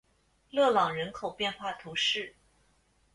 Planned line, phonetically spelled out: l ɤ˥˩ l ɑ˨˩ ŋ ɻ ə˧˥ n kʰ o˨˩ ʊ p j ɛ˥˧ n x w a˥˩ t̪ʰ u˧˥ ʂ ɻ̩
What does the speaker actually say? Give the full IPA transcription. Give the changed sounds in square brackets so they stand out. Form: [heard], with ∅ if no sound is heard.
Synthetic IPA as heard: l ɤ˥˩ l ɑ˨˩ ŋ ɻ ə˧˥ n kʰ o˨˩ ʊ p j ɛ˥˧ n x w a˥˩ t̪ʰ u˧˥ ʂ ɻ̩